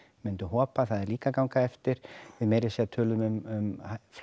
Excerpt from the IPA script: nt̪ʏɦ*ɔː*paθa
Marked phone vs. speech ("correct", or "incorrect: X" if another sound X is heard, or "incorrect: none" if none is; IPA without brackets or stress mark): correct